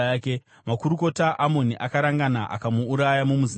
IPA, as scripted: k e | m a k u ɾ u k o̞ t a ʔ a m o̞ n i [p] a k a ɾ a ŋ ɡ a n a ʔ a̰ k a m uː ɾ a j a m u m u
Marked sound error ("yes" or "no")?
yes